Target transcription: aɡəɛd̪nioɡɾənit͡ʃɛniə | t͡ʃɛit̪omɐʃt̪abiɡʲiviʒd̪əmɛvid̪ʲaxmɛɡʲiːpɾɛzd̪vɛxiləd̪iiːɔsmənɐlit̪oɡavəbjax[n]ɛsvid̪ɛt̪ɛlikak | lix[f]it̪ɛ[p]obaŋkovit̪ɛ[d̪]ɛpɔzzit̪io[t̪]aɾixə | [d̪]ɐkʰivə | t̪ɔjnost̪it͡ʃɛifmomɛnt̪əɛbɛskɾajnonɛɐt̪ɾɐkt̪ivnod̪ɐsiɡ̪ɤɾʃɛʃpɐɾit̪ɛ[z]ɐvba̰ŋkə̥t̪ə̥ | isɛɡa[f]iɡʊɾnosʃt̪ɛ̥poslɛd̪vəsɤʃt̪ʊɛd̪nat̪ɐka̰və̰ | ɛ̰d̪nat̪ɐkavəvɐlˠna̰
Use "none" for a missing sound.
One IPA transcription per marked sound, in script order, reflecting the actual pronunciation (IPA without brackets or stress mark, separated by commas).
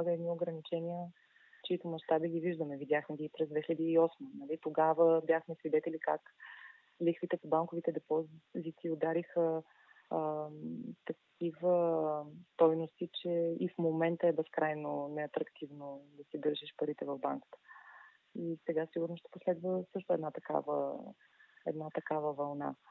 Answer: m, v, p, d̪, d̪, t̪, v, s